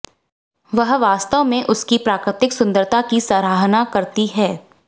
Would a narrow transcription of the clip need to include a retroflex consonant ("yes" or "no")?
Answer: no